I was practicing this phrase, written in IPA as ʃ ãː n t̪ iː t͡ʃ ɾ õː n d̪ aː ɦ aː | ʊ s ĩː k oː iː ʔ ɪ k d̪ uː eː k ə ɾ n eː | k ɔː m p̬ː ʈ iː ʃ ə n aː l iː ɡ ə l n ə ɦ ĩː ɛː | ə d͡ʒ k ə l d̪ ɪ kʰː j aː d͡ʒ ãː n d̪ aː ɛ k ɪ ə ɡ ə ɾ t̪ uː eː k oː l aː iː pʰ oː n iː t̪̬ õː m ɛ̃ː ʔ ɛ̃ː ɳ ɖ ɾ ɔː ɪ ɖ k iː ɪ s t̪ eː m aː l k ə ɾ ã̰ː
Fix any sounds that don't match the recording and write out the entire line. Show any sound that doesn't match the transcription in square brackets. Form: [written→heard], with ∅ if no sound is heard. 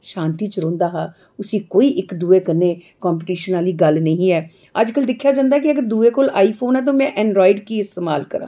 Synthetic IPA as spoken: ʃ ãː n t̪ iː t͡ʃ ɾ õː n d̪ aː ɦ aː | ʊ s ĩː k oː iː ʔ ɪ k d̪ uː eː k ə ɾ n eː | k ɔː m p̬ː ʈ iː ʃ ə n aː l iː ɡ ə l n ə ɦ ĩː ɛː | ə d͡ʒ k ə l d̪ ɪ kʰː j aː d͡ʒ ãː n d̪ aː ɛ k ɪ ə ɡ ə ɾ [t̪→d̪] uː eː k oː l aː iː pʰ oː n [iː→ɛː] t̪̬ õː m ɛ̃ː ʔ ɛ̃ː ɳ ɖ ɾ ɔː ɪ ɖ k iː ɪ s t̪ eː m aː l k ə ɾ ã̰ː